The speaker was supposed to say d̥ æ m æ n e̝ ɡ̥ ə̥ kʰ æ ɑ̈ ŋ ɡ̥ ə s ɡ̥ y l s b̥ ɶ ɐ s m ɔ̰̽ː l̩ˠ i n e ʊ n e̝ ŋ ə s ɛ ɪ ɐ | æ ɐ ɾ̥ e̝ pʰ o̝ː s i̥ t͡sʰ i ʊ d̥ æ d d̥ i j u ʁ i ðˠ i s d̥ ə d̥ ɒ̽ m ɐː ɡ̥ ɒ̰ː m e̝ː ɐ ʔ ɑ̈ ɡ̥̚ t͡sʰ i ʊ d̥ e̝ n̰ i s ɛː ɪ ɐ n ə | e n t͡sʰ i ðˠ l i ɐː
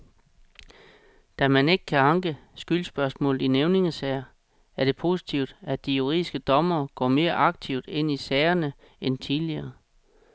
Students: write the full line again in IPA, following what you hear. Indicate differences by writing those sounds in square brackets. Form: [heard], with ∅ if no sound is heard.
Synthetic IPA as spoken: d̥ æ m æ n e̝ ɡ̥ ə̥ kʰ æ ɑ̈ ŋ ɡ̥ ə s ɡ̥ y l s b̥ ɶ ɐ s m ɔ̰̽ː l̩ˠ i n e ʊ n e̝ ŋ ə s ɛ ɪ ɐ | æ ɐ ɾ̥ e̝ pʰ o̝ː s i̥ t͡sʰ i ʊ d̥ æ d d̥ i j u ʁ i ðˠ i s [ɡ̥] ə d̥ ɒ̽ m ɐː ɡ̥ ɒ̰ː m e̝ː ɐ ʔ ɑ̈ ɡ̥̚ t͡sʰ i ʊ d̥ e̝ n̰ i s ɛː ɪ ɐ n ə | e n t͡sʰ i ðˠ l i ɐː